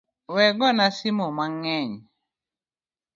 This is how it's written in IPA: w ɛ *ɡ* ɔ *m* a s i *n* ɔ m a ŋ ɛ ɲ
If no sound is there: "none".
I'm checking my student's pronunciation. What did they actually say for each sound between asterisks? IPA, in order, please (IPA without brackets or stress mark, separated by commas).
ɡ, n, m